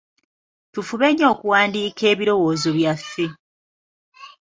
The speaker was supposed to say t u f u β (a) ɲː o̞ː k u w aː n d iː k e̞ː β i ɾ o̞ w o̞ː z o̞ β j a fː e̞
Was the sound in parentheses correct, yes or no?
no